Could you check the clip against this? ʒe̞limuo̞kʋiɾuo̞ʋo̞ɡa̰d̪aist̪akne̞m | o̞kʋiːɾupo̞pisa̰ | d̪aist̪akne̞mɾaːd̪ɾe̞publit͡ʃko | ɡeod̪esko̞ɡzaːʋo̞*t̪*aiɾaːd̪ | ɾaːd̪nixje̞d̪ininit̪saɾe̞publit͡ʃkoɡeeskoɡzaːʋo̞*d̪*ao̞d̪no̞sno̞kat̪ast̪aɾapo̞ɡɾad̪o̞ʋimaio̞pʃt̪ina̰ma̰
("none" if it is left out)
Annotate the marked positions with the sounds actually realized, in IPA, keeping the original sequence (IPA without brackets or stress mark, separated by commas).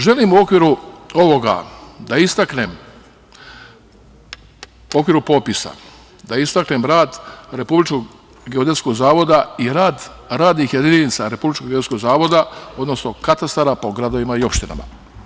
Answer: d̪, d̪